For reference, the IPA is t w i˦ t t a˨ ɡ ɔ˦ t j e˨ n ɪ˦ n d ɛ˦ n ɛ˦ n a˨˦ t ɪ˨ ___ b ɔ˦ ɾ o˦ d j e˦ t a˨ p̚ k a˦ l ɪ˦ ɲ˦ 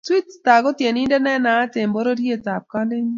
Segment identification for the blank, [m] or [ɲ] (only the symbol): m